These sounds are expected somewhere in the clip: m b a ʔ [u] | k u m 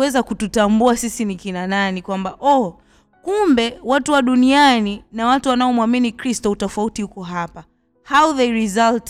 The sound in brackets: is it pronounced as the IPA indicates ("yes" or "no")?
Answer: no